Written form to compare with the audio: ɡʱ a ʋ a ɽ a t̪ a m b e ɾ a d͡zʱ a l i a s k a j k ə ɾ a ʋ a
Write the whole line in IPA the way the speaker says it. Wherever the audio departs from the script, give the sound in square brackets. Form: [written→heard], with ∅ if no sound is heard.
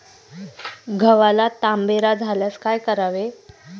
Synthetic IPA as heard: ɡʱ [a→ə] ʋ a [ɽ→l] a t̪ a m b e ɾ a d͡zʱ a l [i→j] a s k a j k ə ɾ a ʋ [a→e]